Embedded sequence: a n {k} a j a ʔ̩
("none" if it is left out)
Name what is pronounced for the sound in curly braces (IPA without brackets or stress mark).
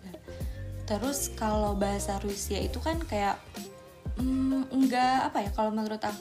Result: k